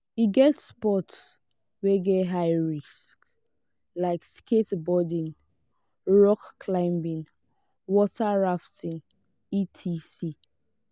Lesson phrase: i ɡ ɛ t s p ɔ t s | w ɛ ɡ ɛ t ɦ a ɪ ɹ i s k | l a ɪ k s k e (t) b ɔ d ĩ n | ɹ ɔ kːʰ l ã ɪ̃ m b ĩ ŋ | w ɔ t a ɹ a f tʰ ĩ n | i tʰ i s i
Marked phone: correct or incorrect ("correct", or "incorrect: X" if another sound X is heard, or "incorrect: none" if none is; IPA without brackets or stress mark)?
correct